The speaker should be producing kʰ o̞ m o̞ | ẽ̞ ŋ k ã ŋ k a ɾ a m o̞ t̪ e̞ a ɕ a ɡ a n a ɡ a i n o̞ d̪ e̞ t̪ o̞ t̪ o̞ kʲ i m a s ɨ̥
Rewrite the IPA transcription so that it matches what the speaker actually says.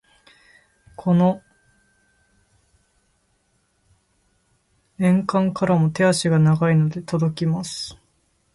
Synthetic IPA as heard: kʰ o̞ n o̞ | ẽ̞ ŋ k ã ŋ k a ɾ a m o̞ t̪ e̞ a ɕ i ɡ a n a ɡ a i n o̞ d̪ e̞ t̪ o̞ d̪ o̞ kʲ i m a s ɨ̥